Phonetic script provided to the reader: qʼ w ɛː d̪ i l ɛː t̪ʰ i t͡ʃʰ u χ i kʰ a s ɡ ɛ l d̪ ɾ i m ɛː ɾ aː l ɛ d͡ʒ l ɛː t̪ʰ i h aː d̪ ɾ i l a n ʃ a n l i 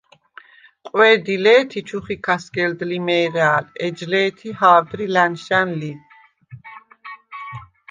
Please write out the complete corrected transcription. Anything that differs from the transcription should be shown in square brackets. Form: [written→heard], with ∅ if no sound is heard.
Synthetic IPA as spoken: qʼ w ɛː d̪ i l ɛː t̪ʰ i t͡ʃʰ u χ i kʰ a s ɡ ɛ l d̪ [ɾ→l] i m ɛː ɾ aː l ɛ d͡ʒ l ɛː t̪ʰ i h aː d̪ ɾ i l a n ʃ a n l i

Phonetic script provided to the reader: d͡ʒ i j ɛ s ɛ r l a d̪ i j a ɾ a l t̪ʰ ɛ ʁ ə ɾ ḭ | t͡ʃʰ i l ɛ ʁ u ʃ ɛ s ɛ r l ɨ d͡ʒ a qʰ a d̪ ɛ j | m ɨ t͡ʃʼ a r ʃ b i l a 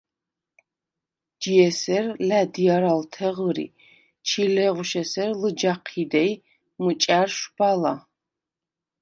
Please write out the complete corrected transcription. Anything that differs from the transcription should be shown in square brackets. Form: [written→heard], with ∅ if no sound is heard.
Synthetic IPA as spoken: d͡ʒ i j ɛ s ɛ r l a d̪ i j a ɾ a l t̪ʰ ɛ ʁ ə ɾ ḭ | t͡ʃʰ i l ɛ ʁ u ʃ ɛ s ɛ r l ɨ d͡ʒ a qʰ [a→i] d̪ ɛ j | m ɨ t͡ʃʼ a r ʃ b [i→a] l a

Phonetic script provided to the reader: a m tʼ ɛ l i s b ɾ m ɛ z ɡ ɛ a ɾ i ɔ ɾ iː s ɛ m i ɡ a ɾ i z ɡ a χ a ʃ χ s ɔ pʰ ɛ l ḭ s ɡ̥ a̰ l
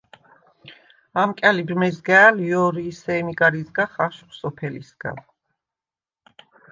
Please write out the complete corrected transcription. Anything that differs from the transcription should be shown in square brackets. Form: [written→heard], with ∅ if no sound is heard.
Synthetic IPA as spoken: a m [tʼ→kʼ] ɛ l i [s→∅] b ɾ m ɛ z ɡ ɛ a [ɾ→l] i ɔ ɾ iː s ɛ m i ɡ a ɾ i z ɡ a χ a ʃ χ s ɔ pʰ ɛ l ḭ s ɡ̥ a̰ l

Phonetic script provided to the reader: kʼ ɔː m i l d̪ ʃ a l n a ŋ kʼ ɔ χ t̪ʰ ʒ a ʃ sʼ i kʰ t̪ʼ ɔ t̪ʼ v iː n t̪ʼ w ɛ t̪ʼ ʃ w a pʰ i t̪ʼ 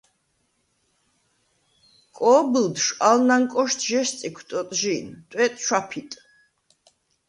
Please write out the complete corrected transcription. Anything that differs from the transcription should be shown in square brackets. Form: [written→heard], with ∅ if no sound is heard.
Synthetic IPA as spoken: kʼ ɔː [m→b] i l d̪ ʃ a l n a ŋ kʼ ɔ [χ→ʃ] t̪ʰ ʒ [a→ɛ] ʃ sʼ i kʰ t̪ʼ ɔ t̪ʼ [v→ʒ] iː n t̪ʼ w ɛ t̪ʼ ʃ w a pʰ i t̪ʼ

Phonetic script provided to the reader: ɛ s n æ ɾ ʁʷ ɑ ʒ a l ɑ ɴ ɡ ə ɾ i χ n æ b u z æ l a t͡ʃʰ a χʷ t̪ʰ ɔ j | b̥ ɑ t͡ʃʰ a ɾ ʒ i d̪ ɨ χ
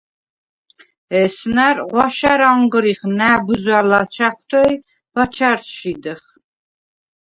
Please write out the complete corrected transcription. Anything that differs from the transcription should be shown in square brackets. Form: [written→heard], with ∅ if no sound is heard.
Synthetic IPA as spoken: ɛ s n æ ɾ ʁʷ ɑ [ʒ→ʃ] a [l→ɾ] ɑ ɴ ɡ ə ɾ i χ n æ b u z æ l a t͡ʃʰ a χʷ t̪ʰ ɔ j | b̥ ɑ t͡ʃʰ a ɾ [ʒ→ʃ] i d̪ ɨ χ

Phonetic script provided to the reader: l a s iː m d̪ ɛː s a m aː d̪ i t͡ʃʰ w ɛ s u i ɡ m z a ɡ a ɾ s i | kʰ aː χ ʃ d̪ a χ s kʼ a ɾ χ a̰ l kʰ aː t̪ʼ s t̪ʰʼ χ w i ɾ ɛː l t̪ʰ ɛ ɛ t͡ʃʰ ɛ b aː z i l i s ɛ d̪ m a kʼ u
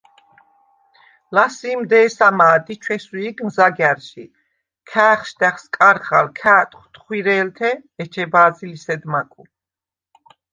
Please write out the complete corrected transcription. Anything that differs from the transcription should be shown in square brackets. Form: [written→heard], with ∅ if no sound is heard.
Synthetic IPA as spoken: l a s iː m d̪ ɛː s a m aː d̪ i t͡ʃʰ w ɛ s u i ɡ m z a ɡ a ɾ [s→ʃ] i | kʰ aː χ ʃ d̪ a χ s kʼ a ɾ χ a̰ l kʰ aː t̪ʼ [s→χ] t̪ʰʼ χ w i ɾ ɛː l t̪ʰ ɛ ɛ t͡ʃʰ ɛ b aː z i l i s ɛ d̪ m a kʼ u

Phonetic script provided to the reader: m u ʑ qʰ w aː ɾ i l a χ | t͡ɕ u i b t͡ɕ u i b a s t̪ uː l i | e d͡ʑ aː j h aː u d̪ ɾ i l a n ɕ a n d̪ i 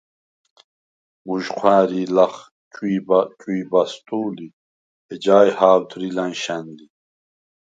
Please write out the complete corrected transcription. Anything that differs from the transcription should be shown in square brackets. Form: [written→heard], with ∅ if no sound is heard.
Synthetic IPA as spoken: m u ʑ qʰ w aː ɾ i l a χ | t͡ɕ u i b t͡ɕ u i b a s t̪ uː l i | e d͡ʑ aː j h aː [u→w] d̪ ɾ i l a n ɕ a n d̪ i

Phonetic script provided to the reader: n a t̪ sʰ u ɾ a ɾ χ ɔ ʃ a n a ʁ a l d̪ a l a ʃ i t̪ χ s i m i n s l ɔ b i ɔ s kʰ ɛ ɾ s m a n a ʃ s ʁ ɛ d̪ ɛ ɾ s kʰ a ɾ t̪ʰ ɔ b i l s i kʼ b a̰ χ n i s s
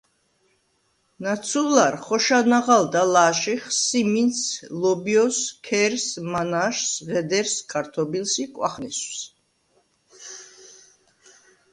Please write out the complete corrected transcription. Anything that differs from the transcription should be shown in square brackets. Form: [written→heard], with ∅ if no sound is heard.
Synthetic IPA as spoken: n a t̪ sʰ u [ɾ→l] a ɾ χ ɔ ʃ a n a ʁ a l d̪ a l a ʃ i [t̪→∅] χ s i m i n s l ɔ b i ɔ s kʰ ɛ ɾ s m a n a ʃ s ʁ ɛ d̪ ɛ ɾ s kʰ a ɾ t̪ʰ ɔ b i l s i kʼ [b→w] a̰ χ n i s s

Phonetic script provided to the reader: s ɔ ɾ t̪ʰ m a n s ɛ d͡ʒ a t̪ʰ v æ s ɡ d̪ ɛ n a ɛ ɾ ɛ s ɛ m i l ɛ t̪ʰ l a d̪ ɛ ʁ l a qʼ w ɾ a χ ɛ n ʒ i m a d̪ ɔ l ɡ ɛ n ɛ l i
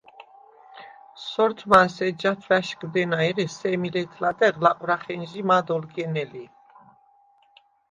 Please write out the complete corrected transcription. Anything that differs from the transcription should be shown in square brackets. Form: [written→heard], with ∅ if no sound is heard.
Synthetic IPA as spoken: s ɔ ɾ t̪ʰ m a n s ɛ d͡ʒ a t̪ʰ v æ [s→ʃ] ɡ d̪ ɛ n a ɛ ɾ ɛ s ɛ m i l ɛ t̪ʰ l a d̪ ɛ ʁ l a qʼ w ɾ a χ ɛ n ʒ i m a d̪ ɔ l ɡ ɛ n ɛ l i

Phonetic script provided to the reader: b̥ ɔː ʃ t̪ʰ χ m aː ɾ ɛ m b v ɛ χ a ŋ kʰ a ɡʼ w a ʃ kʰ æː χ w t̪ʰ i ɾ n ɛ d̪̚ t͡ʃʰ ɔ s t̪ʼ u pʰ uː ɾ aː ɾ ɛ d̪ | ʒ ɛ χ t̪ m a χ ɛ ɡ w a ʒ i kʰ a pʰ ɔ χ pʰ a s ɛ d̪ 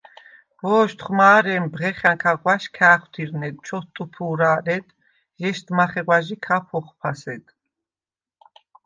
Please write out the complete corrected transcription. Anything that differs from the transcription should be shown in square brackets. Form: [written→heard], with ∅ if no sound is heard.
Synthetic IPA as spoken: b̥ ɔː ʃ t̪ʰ χ m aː ɾ ɛ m b [v→ʁ] ɛ χ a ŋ kʰ a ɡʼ w a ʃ kʰ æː χ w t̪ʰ i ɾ n ɛ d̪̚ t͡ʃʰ ɔ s t̪ʼ u pʰ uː ɾ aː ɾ ɛ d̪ | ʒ ɛ [χ→ʃ] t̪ m a χ ɛ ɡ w a ʒ i kʰ a pʰ ɔ χ pʰ a s ɛ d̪

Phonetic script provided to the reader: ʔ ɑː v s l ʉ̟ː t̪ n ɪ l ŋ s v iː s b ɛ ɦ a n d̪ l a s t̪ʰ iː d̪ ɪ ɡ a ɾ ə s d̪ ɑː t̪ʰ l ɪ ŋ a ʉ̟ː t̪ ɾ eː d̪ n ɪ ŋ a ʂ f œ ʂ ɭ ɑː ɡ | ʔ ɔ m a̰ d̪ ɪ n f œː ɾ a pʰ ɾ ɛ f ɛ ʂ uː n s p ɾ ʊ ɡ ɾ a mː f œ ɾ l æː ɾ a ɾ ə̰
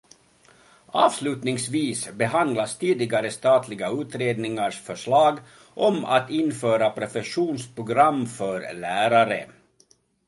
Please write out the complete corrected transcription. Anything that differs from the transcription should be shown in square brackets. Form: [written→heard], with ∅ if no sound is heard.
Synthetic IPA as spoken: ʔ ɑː v s l ʉ̟ː t̪ n ɪ [l→∅] ŋ s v iː s b ɛ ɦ a n d̪ l a s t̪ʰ iː d̪ ɪ ɡ a ɾ ə s [d̪→t̪] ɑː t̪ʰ l ɪ [ŋ→ɡ] a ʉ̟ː t̪ ɾ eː d̪ n ɪ ŋ a ʂ f œ ʂ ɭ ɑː ɡ | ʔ ɔ m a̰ [d̪→t̪] ɪ n f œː ɾ a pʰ ɾ ɛ f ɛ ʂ uː n s p ɾ ʊ ɡ ɾ a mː f œ ɾ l æː ɾ a ɾ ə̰

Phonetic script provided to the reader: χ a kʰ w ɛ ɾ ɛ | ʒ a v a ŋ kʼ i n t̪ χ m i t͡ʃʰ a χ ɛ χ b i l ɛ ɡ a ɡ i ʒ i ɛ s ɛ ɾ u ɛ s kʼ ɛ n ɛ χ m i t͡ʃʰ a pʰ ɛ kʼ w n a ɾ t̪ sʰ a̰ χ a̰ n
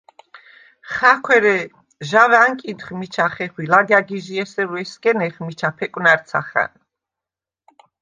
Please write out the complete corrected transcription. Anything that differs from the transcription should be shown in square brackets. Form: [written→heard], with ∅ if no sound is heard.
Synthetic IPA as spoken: χ a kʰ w ɛ ɾ ɛ | ʒ a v a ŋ kʼ i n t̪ χ m i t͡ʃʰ a χ ɛ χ [b→w] i l [ɛ→a] ɡ a ɡ i ʒ i ɛ s ɛ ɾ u ɛ s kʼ ɛ n ɛ χ m i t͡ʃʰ a pʰ ɛ kʼ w n a ɾ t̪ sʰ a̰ χ a̰ n

